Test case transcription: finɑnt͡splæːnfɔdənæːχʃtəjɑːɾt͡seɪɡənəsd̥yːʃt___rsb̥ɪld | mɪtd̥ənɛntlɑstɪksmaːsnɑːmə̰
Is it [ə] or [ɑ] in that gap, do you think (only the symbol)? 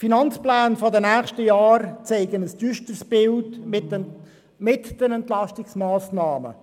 ə